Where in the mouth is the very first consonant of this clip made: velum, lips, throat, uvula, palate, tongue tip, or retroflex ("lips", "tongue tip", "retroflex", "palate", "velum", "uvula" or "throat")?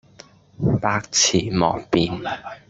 lips